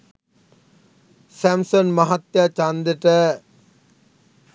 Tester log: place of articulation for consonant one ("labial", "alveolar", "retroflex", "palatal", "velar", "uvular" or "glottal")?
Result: alveolar